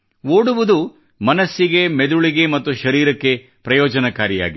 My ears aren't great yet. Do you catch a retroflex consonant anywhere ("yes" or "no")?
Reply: yes